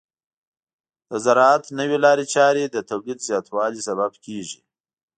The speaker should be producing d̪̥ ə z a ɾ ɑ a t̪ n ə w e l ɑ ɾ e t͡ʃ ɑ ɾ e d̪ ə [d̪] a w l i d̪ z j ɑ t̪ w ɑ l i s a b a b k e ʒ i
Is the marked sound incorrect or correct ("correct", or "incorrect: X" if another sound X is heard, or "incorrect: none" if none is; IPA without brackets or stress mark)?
incorrect: t̪